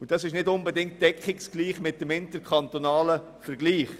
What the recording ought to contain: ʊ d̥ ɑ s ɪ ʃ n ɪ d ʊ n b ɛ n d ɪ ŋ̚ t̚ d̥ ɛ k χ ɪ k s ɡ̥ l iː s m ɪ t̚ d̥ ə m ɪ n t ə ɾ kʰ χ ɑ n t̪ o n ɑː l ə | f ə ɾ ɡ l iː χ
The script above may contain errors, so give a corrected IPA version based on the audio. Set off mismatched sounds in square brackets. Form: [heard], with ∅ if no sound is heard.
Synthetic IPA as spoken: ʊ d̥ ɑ s ɪ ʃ n ɪ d ʊ n b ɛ [∅] d ɪ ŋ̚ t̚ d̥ ɛ k χ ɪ k s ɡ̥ l iː [χ] m ɪ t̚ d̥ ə m ɪ n t ə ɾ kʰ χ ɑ n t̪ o n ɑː l ə | f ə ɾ ɡ l iː χ